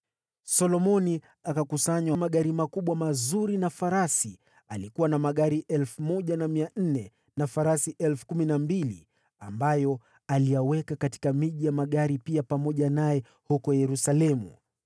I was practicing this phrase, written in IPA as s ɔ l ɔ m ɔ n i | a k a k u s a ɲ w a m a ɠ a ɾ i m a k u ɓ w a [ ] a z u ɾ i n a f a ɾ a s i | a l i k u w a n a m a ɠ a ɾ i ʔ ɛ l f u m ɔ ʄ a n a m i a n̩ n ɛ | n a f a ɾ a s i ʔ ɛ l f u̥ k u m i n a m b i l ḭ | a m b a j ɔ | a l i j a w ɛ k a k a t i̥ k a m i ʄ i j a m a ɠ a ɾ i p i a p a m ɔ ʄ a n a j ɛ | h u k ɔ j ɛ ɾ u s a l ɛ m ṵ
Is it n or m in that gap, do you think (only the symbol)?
m